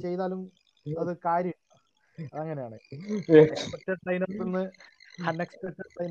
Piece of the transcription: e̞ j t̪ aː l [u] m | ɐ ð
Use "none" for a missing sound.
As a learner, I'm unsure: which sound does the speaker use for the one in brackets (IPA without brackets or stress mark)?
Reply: u